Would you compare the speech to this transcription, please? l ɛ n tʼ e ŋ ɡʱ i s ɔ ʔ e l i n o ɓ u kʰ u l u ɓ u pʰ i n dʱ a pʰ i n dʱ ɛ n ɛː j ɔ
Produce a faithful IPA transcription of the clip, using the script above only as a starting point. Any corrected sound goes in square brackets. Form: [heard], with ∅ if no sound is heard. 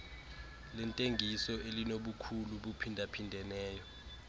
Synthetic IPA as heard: l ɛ n tʼ e ŋ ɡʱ i s ɔ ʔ e l i n o ɓ u kʰ u l u ɓ u pʰ i n dʱ a pʰ i n dʱ ɛ n ɛː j ɔ